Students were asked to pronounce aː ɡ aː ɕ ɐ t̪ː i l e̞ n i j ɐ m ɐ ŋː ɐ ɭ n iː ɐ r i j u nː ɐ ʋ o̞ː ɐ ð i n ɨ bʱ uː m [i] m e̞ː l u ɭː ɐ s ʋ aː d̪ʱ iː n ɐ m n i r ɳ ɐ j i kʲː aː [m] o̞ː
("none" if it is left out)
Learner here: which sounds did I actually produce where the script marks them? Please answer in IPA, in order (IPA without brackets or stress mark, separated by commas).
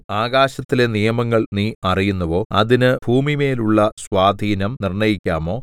i, m